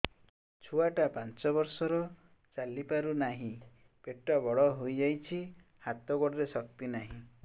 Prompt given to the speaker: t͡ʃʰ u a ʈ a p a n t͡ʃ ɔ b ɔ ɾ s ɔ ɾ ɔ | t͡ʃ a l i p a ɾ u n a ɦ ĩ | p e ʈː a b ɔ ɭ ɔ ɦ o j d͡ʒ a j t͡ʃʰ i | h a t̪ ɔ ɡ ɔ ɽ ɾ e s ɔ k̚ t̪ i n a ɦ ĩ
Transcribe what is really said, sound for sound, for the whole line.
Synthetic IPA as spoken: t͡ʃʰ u a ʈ a p a n t͡ʃ ɔ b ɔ ɾ s ɔ ɾ ɔ | t͡ʃ a l i p a ɾ u n a ɦ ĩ | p e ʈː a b ɔ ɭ ɔ ɦ o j d͡ʒ a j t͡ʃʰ i | h a t̪ ɔ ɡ ɔ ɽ ɾ e s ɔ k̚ t̪ i n a ɦ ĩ